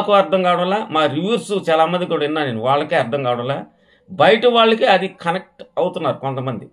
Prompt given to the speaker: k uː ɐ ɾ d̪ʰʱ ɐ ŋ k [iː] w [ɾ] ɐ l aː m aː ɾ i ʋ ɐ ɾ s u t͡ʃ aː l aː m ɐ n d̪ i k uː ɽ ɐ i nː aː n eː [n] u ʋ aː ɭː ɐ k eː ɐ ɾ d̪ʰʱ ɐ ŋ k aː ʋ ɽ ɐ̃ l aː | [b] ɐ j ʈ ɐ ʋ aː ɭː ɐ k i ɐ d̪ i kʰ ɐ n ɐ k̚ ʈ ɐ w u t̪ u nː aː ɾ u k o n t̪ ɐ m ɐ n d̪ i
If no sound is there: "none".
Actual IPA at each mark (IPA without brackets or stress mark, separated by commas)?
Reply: aː, ɽ, n, b